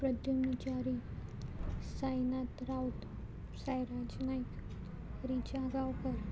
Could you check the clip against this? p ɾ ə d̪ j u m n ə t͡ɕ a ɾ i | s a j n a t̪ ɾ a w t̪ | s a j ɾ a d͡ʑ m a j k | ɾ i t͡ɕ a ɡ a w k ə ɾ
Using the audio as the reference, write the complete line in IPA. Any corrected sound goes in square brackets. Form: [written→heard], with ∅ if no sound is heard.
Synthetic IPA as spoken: p ɾ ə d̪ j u m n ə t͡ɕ a ɾ i | s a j n a t̪ ɾ a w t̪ | s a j ɾ a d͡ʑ [m→n] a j k | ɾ i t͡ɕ a ɡ a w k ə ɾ